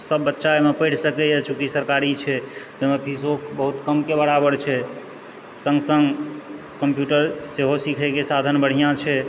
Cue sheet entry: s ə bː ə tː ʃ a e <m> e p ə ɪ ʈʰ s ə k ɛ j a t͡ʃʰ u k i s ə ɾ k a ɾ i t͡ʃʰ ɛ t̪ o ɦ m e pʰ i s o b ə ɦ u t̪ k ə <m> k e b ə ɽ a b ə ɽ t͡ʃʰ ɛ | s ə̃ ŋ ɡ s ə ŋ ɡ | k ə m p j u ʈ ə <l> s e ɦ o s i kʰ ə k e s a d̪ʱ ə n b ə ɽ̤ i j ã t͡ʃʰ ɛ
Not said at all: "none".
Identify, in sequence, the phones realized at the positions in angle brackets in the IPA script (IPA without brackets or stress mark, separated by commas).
m, m, ɾ